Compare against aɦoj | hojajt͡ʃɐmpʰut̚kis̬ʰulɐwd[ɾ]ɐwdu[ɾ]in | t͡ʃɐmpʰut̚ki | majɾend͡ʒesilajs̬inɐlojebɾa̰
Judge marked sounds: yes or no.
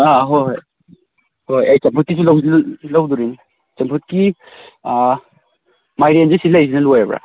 no, yes

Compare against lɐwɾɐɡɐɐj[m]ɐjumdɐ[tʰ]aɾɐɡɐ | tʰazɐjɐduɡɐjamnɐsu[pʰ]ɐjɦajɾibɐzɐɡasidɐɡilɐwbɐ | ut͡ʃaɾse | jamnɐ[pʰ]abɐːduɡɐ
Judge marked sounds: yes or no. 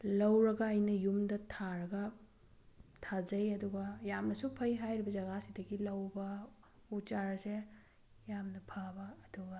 no, yes, yes, yes

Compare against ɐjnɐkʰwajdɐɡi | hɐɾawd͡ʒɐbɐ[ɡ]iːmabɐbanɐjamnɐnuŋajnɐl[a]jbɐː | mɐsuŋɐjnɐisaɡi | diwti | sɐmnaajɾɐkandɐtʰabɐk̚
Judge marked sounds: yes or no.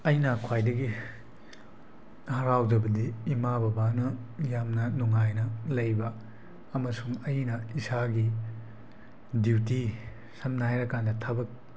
no, no

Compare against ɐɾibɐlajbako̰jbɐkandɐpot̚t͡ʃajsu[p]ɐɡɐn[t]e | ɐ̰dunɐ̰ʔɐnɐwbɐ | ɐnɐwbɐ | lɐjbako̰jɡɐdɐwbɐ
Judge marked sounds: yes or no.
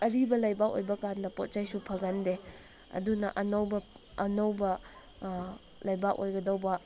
no, no

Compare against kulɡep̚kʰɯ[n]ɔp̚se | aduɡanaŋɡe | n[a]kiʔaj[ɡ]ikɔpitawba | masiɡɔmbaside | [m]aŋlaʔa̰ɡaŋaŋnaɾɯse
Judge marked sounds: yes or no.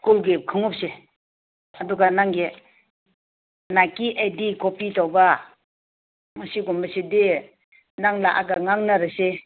no, yes, no, no

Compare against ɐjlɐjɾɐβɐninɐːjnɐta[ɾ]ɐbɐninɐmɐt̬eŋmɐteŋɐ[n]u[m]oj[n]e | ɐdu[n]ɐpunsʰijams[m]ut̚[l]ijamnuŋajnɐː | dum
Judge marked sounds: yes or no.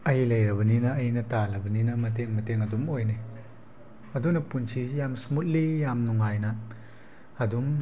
no, no, yes, yes, yes, yes, yes

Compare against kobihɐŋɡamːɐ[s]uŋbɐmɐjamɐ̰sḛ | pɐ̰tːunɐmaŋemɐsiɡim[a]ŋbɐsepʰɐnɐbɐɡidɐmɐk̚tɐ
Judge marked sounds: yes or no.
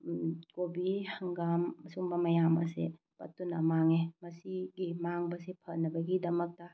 yes, yes

